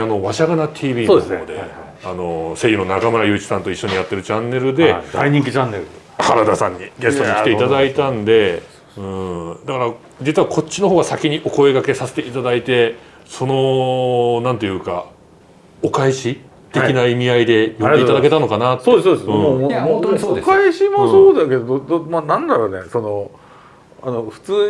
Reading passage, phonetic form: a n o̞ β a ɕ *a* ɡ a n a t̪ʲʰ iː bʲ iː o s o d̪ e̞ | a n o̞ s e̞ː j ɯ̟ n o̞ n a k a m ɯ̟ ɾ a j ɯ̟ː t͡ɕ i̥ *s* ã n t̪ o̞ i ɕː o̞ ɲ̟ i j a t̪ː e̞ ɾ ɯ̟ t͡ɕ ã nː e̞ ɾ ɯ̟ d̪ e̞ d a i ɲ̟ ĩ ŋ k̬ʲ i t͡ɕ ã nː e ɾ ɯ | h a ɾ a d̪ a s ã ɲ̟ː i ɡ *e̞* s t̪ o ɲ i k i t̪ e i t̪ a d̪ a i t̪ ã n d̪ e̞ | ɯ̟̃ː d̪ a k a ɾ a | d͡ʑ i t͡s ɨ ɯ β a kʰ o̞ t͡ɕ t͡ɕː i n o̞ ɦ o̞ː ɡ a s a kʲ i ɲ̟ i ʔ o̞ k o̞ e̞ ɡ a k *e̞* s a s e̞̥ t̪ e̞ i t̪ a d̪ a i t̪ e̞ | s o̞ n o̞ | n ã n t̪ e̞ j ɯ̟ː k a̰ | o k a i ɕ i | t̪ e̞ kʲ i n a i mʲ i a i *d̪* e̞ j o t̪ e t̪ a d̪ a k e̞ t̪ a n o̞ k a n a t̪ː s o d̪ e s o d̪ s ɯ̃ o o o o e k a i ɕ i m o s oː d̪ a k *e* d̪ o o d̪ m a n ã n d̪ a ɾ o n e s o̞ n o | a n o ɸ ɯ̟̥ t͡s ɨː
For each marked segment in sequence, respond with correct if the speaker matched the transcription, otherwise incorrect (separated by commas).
correct, correct, correct, correct, correct, correct